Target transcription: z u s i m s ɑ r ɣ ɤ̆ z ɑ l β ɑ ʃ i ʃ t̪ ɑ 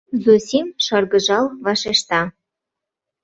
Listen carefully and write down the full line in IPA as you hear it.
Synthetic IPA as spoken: z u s i m ʃ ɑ r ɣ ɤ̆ ʒ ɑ l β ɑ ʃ e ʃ t̪ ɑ